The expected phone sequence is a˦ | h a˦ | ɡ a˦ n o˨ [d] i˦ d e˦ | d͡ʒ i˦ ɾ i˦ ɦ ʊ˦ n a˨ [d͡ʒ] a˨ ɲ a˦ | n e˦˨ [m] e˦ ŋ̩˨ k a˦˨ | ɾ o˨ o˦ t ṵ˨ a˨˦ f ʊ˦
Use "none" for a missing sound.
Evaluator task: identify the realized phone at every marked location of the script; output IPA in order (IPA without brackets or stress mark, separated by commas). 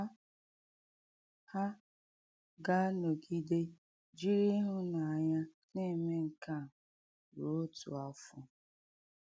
ɡ, none, m